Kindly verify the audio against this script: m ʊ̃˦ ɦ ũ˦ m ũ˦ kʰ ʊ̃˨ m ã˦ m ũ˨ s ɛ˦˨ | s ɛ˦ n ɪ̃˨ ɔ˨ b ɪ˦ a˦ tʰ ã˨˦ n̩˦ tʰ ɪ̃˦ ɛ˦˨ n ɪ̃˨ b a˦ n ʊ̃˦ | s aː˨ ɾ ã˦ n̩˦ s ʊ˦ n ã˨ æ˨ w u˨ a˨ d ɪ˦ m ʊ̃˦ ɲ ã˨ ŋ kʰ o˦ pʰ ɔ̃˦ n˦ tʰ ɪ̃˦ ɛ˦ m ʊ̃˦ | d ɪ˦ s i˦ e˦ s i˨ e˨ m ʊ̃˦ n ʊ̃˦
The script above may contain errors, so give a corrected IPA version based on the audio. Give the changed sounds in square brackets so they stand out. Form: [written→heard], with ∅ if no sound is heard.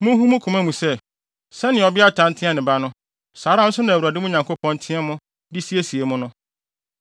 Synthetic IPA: m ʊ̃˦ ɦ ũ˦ m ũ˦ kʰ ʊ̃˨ m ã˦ m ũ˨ s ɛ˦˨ | s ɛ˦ n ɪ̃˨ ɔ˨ b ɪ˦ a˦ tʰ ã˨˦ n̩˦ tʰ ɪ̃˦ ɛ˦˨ n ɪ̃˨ b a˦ n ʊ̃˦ | s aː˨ ɾ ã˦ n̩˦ s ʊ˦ n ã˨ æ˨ w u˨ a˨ d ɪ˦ m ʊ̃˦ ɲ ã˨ ŋ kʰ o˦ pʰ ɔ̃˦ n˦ tʰ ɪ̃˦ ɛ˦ m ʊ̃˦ | d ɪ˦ s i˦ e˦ s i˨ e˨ m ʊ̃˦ n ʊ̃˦